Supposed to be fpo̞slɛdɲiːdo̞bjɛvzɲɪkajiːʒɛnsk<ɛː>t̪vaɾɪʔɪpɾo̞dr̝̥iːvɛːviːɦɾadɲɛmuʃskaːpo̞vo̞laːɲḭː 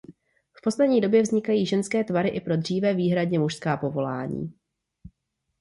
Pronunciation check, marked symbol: correct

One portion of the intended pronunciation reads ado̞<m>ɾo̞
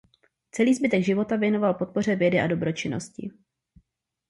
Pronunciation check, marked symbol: incorrect: b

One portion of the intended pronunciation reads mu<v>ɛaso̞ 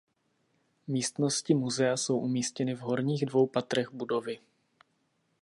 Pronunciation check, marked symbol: incorrect: z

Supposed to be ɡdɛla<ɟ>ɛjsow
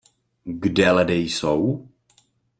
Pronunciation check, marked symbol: incorrect: d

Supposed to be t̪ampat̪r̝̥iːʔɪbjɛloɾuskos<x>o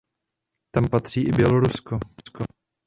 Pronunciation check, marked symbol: incorrect: k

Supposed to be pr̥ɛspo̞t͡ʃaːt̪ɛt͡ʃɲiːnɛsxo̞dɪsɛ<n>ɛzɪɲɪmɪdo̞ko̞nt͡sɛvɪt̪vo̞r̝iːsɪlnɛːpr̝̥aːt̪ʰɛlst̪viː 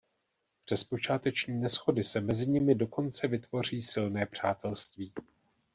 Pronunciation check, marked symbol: incorrect: m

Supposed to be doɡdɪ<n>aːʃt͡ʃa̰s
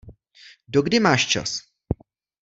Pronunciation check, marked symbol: incorrect: m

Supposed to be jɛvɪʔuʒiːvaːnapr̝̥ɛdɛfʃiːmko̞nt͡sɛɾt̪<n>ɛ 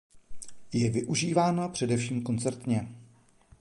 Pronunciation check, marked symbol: incorrect: ɲ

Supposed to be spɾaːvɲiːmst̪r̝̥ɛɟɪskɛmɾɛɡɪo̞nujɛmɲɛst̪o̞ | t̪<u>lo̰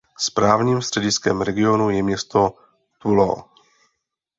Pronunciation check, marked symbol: correct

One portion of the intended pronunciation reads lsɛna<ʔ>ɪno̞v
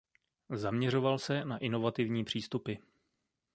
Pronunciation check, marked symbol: correct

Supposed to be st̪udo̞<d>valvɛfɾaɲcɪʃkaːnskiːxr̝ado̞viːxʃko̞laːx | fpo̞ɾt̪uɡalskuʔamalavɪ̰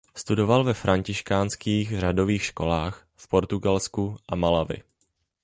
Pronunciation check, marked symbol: incorrect: none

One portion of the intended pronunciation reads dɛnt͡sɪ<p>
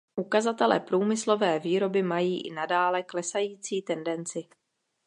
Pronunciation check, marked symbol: incorrect: none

